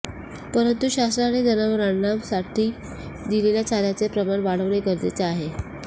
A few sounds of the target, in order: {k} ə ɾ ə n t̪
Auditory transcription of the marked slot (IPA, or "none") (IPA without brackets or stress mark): p